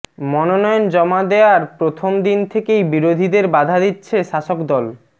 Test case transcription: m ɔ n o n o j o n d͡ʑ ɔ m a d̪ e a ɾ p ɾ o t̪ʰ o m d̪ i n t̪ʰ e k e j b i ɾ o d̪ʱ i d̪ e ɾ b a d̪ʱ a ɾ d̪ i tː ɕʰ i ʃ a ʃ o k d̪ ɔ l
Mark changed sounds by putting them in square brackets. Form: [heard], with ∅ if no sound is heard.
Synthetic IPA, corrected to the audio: m ɔ n o n [ɔ] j o n d͡ʑ ɔ m a d̪ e a ɾ p ɾ o t̪ʰ o m d̪ i n t̪ʰ e k e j b i ɾ o d̪ʱ i d̪ e ɾ b a d̪ʱ a [∅] d̪ i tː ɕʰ [e] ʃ a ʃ o k d̪ ɔ l